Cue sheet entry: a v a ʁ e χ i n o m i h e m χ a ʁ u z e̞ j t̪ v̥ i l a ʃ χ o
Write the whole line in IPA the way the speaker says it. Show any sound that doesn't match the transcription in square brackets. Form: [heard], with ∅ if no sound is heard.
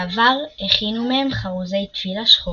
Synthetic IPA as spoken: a v a ʁ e χ i n [u] m [e] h e m χ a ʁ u z e̞ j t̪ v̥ i l a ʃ χ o